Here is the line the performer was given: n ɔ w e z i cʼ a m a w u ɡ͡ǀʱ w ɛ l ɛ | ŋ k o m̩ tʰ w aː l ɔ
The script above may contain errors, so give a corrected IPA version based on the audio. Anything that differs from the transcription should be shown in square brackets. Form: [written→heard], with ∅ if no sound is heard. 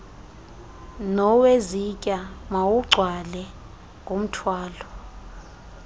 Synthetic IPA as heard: n ɔ w e z i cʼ a m a w u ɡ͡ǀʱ w [ɛ→a] l ɛ | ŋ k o m̩ tʰ w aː l ɔ